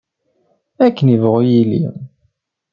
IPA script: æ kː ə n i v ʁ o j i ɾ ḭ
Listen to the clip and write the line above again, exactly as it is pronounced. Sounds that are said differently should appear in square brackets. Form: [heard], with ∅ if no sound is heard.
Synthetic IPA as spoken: æ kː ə n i v ʁ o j i [l] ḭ